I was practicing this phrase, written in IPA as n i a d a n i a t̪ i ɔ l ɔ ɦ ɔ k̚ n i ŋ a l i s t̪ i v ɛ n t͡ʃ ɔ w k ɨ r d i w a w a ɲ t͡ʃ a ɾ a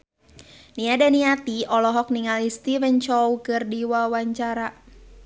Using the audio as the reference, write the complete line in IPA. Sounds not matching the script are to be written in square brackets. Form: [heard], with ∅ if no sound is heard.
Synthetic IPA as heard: n i a d a n i a t̪ i ɔ l ɔ ɦ ɔ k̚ n i ŋ a l i s t̪ i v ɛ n t͡ʃ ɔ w k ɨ r d i w a w a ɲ t͡ʃ a ɾ a